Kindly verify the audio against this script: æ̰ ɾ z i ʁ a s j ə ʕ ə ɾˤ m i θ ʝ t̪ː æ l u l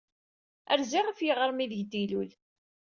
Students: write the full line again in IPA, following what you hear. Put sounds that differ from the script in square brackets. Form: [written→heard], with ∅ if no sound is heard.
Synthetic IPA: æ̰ ɾ z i ʁ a [s→f] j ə [ʕ→ʁ] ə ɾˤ m i [θ→ð] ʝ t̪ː [æ→i] l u l